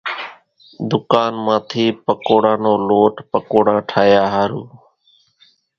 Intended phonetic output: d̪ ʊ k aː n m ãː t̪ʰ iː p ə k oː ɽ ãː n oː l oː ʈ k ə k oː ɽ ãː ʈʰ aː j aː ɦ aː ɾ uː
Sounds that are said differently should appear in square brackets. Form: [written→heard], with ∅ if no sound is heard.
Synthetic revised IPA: d̪ ʊ k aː n m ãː t̪ʰ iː p ə k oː ɽ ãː n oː l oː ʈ [k→p] ə k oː ɽ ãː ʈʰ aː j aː ɦ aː ɾ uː